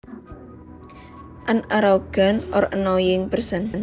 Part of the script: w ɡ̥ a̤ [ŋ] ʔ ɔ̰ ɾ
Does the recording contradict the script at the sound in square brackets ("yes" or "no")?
yes